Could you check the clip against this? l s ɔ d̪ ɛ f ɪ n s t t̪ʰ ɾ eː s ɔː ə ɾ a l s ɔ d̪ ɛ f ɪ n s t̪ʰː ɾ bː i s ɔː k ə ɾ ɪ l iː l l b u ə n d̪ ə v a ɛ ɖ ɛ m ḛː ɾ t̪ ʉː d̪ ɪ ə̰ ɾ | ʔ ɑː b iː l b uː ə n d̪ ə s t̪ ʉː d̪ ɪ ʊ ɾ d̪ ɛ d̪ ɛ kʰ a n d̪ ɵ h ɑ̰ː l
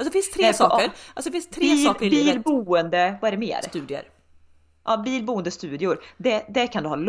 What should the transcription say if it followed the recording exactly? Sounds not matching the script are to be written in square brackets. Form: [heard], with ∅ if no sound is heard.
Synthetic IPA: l s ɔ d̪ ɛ f ɪ n s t t̪ʰ ɾ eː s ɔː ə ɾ a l s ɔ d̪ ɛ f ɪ n s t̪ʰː ɾ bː i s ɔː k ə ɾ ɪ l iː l l b u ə n d̪ ə v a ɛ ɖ ɛ m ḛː ɾ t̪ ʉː d̪ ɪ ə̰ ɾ | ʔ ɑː b iː l b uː ə n d̪ ə s t̪ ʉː d̪ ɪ ʊ ɾ d̪ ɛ d̪ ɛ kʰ a n d̪ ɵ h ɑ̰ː l